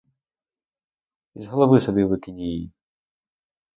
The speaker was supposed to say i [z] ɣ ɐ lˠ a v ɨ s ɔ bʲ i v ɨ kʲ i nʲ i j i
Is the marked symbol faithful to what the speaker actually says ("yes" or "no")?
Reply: yes